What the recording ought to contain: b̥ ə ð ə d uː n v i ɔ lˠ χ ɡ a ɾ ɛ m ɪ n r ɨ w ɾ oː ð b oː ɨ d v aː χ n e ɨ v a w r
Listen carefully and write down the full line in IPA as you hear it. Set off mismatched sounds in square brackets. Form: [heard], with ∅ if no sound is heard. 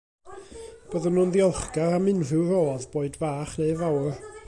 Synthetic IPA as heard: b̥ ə ð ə [n] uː n [ð] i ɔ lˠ χ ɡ a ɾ [a] m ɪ n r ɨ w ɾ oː ð b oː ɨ d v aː χ n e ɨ v a w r